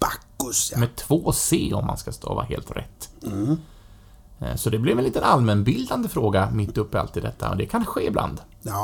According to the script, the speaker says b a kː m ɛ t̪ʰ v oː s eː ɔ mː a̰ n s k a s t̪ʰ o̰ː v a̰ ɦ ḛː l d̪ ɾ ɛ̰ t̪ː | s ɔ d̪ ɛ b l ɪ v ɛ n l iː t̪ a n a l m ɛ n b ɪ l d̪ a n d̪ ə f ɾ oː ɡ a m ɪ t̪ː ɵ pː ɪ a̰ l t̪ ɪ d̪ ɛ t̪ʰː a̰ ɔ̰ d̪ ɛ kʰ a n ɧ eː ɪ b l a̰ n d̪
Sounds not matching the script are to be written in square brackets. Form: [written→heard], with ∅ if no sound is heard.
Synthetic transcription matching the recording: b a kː m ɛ t̪ʰ v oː s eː ɔ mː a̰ n s k a s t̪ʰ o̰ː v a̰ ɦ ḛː l [d̪→t̪] ɾ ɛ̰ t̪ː | s ɔ d̪ ɛ b l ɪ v ɛ n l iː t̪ [a→ə] n a l m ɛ n b ɪ l d̪ a n d̪ ə f ɾ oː ɡ a m ɪ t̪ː ɵ pː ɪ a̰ l t̪ ɪ d̪ ɛ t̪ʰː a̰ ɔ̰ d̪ ɛ kʰ a n ɧ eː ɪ b l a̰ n d̪